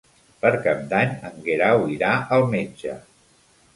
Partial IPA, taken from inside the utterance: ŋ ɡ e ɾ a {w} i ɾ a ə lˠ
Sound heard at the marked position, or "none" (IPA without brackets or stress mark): w